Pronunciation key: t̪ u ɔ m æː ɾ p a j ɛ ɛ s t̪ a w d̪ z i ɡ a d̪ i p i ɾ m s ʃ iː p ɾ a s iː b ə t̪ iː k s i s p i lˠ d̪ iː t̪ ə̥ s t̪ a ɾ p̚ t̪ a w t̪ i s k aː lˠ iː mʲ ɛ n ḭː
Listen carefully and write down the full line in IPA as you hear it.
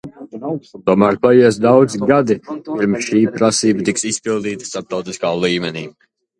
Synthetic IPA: t̪ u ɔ m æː ɾ p a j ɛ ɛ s d̪ a w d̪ z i ɡ a d̪ i p i ɾ m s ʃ iː p ɾ a s iː b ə t̪ i k s i s p i lˠ d̪ iː t̪ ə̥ s t̪ a ɾ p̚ t̪ a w t̪ i s k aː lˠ iː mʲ ɛ n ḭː